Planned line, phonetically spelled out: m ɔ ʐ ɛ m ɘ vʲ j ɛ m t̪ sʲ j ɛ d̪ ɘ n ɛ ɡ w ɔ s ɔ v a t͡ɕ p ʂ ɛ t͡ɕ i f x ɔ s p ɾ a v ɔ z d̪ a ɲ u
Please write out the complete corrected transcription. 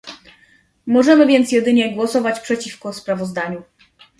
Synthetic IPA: m ɔ ʐ ɛ m ɘ vʲ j ɛ n t̪ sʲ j ɛ d̪ ɘ ɲ ɛ ɡ w ɔ s ɔ v a t͡ɕ p ʂ ɛ t͡ɕ i f k ɔ s p ɾ a v ɔ z d̪ a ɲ u